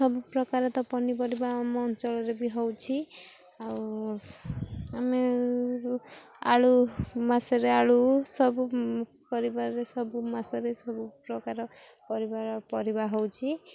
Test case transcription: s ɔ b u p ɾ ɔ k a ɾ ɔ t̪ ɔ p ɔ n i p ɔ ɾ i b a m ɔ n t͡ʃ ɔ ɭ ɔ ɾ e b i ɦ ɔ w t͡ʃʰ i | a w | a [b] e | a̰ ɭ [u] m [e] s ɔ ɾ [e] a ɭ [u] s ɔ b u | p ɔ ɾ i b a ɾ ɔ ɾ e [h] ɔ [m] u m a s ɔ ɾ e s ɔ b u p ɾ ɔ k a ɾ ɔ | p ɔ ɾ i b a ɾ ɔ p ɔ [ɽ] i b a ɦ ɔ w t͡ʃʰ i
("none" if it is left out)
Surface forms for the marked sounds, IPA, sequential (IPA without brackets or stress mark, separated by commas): m, u, a, e, u, s, b, ɾ